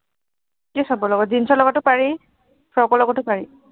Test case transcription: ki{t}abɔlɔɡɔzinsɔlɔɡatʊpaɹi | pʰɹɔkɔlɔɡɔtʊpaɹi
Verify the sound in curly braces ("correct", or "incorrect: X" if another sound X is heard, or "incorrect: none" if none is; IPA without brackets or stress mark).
incorrect: s